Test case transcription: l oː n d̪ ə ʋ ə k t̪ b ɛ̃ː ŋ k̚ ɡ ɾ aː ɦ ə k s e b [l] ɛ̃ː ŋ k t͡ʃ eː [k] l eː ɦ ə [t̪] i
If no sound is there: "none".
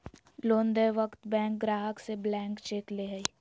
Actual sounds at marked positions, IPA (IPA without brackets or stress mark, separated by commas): l, k, none